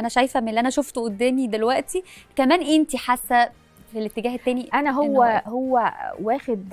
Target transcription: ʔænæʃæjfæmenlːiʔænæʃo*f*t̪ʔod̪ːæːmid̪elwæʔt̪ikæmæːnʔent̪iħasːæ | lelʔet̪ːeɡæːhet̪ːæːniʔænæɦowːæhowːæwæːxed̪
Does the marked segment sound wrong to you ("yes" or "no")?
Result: no